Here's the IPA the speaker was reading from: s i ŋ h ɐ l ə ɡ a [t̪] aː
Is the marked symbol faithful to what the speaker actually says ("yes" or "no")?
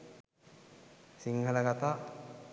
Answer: yes